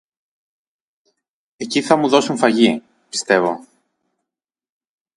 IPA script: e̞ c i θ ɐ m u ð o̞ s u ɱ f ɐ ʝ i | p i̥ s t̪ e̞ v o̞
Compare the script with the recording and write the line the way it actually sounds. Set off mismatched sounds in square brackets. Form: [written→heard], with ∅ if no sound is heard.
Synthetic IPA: e̞ c i θ ɐ m u ð o̞ s u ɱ f ɐ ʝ i | p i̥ s t̪ e̞ v o̞

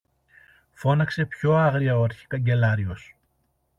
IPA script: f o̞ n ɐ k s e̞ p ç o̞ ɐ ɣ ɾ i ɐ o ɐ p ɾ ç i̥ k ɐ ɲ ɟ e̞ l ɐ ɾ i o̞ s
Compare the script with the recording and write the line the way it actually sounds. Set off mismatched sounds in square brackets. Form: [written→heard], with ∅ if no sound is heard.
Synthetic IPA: f o̞ n ɐ k s e̞ p ç o̞ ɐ ɣ ɾ i ɐ o ɐ [p→∅] ɾ ç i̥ k ɐ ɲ ɟ e̞ l ɐ ɾ i o̞ s

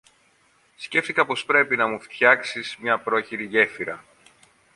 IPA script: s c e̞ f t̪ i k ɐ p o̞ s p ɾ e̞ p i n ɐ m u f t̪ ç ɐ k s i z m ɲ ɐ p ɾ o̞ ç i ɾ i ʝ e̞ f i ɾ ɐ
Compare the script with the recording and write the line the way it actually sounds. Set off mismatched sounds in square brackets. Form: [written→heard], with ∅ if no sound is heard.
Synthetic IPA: s c e̞ f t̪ i k ɐ p o̞ s p ɾ e̞ p i n ɐ m u f t̪ ç ɐ k s i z m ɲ ɐ p ɾ o̞ ç i ɾ i ʝ e̞ f i ɾ ɐ

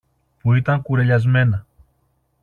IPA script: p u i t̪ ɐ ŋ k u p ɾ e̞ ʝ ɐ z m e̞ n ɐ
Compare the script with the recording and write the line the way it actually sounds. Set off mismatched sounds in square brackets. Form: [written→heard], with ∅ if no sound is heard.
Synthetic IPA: p u i t̪ ɐ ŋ k u [p→∅] ɾ e̞ [ʝ→ʎ] ɐ z m e̞ n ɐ

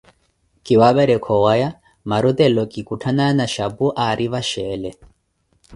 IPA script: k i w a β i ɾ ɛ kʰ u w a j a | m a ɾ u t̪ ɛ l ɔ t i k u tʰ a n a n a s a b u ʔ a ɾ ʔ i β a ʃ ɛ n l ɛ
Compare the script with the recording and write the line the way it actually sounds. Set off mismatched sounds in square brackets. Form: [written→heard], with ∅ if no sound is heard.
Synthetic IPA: k i w a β [i→ɛ] ɾ ɛ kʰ [u→ɔ] w a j a | m a ɾ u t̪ ɛ l ɔ [t→k] i k u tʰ a n a n a [s→ʃ] a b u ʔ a ɾ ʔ i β a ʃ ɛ [n→∅] l ɛ

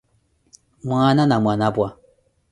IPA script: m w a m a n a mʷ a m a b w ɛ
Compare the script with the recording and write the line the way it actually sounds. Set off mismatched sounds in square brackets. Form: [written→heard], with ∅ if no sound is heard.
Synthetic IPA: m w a [m→n] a n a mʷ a [m→n] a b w [ɛ→a]

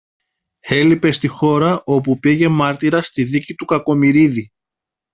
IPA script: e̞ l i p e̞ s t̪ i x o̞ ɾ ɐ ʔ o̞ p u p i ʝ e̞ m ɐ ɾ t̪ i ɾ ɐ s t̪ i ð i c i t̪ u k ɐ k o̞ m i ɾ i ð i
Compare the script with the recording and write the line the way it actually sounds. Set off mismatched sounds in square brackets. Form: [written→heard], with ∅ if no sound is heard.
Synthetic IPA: e̞ l i p e̞ s t̪ i x o̞ ɾ ɐ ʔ o̞ p u p i ʝ e̞ m ɐ ɾ t̪ i ɾ ɐ s t̪ i ð i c i t̪ u k ɐ k o̞ m i ɾ i ð i

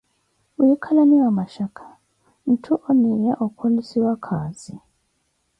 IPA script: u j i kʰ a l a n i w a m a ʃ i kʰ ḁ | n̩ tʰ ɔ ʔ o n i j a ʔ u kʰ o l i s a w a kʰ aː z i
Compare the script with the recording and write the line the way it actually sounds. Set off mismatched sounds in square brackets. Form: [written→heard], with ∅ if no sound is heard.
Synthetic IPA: u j i kʰ a l a n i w a m a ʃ [i→a] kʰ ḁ | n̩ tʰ [ɔ→u] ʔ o n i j a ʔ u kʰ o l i s [a→i] w a kʰ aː z i

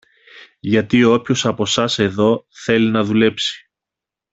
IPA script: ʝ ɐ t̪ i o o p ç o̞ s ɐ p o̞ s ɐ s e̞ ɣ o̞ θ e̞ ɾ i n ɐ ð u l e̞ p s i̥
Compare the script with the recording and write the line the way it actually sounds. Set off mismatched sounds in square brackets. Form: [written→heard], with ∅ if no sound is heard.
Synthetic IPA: ʝ ɐ t̪ i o o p ç o̞ s ɐ p o̞ s ɐ s e̞ [ɣ→ð] o̞ θ e̞ [ɾ→l] i n ɐ ð u l e̞ p s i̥

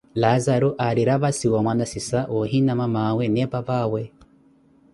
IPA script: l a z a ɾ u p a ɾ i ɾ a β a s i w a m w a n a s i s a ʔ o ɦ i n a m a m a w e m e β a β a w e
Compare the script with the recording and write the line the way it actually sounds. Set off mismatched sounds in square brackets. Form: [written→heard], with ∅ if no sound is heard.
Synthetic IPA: l a z a ɾ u [p→ʔ] a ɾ i ɾ a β a s i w a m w a n a s i s a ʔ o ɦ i n a m a m a w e [m→n] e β a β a w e

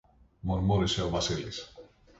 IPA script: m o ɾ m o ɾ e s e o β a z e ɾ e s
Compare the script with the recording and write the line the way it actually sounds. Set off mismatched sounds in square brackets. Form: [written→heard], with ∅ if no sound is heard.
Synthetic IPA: m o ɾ m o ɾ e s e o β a [z→s] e [ɾ→l] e s

